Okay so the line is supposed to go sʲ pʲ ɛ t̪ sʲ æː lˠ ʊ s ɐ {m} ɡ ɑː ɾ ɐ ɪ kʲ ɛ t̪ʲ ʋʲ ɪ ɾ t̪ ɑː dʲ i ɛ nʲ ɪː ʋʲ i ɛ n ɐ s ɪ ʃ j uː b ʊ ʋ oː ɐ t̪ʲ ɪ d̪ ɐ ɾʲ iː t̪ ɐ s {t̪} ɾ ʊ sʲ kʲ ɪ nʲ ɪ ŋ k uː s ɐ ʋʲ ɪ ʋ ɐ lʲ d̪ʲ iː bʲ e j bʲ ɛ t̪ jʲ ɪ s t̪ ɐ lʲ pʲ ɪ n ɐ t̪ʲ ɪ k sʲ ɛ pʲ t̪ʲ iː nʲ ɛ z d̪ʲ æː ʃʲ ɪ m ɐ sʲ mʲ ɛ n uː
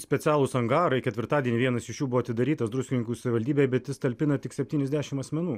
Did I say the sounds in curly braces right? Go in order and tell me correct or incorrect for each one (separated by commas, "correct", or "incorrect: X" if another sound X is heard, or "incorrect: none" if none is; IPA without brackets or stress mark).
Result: incorrect: ŋ, incorrect: d̪